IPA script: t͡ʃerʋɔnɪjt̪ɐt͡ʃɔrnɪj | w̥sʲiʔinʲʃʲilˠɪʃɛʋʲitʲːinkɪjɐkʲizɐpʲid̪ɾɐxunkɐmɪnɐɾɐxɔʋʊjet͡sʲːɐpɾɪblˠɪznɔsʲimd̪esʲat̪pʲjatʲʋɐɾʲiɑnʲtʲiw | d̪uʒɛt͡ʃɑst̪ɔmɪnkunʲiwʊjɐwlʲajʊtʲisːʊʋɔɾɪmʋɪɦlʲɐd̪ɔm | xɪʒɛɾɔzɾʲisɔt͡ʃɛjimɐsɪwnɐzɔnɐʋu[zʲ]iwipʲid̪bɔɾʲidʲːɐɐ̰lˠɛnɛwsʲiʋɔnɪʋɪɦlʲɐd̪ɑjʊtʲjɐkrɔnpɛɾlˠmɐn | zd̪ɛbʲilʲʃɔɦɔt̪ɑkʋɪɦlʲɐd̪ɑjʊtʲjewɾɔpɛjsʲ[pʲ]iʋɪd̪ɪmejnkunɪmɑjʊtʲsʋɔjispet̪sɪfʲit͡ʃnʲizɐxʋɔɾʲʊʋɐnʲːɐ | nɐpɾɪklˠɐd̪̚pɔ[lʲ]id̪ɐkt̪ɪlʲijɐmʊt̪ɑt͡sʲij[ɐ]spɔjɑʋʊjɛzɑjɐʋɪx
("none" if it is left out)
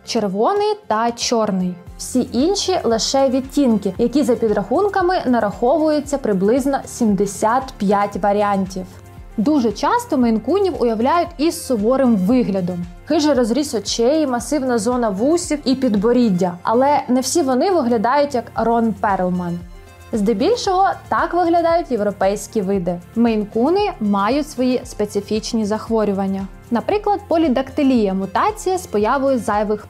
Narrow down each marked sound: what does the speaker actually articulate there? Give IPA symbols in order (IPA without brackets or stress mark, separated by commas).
sʲ, kʲ, lʲ, ɐ